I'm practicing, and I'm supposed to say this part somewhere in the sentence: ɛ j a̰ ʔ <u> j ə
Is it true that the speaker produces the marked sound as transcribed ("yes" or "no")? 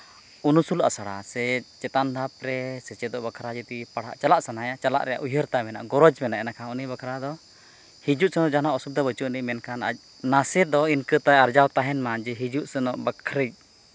yes